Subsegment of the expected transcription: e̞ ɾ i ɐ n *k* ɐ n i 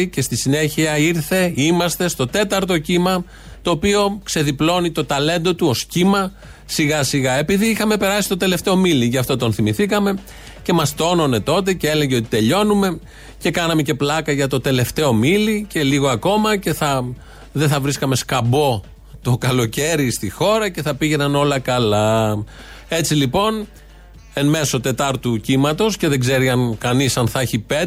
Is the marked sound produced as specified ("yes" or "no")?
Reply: yes